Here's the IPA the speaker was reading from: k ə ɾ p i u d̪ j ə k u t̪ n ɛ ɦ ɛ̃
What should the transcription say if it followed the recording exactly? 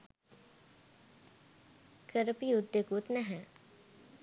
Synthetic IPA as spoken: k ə ɾ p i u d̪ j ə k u t̪ n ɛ ɦ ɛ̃